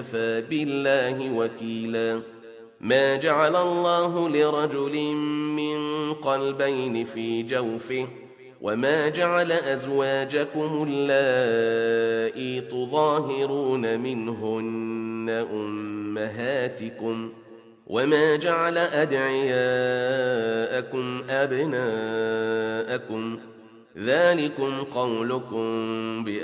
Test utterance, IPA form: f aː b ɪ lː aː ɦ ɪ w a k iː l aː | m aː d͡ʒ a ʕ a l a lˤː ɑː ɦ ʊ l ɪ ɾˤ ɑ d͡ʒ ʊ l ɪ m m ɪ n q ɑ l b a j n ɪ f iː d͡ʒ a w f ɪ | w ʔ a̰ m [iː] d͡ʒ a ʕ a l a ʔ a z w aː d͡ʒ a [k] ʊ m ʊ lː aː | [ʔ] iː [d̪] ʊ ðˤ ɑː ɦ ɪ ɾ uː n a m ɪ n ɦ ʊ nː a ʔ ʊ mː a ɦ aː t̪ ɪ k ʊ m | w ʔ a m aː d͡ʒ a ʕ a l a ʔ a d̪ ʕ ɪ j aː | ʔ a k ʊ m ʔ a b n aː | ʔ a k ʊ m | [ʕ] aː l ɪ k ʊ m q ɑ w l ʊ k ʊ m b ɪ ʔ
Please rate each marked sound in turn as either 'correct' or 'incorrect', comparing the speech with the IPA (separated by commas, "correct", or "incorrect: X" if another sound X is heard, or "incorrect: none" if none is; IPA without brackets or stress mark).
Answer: incorrect: aː, correct, correct, incorrect: t̪, incorrect: ð